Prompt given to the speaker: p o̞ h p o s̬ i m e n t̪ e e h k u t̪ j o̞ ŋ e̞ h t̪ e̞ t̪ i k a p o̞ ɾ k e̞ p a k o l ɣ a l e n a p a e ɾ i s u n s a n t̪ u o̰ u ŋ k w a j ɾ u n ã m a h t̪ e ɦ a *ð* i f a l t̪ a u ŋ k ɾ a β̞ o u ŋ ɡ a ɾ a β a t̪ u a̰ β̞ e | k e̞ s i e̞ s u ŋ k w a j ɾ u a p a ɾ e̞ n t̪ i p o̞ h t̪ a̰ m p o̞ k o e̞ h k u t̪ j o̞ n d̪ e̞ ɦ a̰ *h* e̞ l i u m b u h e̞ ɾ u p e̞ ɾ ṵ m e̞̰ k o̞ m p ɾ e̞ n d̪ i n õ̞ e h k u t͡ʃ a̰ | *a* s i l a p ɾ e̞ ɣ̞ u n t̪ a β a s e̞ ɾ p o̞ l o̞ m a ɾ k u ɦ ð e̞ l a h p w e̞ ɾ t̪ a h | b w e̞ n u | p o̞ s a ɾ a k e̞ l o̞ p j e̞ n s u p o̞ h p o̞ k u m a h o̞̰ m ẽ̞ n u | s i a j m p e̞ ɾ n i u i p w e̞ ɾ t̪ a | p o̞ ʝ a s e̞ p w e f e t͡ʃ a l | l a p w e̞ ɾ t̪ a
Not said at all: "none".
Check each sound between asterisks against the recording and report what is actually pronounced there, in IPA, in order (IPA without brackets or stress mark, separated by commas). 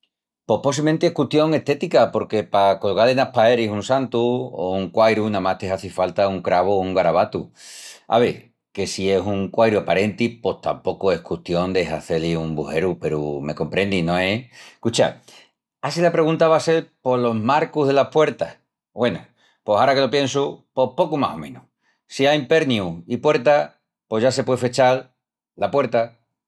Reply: θ, θ, a